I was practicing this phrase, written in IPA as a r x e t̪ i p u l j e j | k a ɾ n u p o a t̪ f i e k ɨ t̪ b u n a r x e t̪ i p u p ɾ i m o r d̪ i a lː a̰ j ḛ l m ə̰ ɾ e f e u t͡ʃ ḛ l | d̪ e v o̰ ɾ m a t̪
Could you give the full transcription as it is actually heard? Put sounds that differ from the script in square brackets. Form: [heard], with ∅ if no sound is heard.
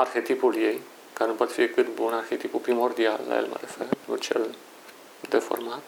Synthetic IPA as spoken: a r x e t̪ i p u l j e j | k a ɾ n u p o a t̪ f i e k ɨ t̪ b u n a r x e t̪ i p u p ɾ i m o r d̪ i a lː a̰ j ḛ l m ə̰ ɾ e f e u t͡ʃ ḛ l | d̪ e [f] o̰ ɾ m a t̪